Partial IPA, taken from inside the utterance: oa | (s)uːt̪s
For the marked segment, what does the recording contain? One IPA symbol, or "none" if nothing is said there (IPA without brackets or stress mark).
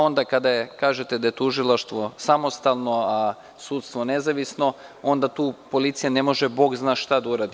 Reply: s